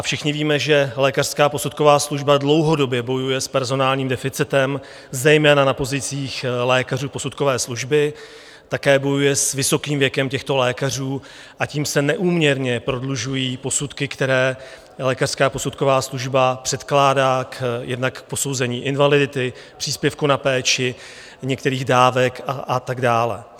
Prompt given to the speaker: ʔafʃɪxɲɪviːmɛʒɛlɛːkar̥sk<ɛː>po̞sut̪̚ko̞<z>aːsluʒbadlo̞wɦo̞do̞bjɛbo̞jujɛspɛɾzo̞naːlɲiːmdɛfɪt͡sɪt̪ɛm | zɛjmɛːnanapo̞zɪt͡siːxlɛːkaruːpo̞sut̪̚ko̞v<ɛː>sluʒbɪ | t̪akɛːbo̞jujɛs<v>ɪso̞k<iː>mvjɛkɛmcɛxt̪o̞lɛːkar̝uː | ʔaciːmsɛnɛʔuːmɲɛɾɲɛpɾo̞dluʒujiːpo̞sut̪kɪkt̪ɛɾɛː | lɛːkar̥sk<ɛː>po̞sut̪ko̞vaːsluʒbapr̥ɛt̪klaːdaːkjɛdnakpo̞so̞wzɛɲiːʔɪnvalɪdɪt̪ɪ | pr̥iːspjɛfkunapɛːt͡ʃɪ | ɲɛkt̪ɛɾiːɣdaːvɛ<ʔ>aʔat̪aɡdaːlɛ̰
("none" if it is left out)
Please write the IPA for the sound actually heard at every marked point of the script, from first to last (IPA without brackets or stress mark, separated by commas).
aː, v, ɛː, v, iː, aː, k